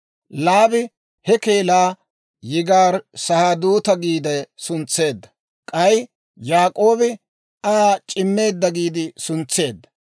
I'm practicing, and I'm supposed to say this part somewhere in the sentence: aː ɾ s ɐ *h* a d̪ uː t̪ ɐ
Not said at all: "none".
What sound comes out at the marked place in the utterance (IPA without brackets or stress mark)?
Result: h